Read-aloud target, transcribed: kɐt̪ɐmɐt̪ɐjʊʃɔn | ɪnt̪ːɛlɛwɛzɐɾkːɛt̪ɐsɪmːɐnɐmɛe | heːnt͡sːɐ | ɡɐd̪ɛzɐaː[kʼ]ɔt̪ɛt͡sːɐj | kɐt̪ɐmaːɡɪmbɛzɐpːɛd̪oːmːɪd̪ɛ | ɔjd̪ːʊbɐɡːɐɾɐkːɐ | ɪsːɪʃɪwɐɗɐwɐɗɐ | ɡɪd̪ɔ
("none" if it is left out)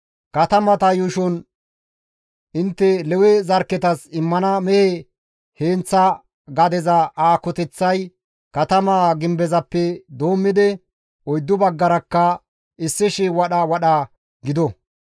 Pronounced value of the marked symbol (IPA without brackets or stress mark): k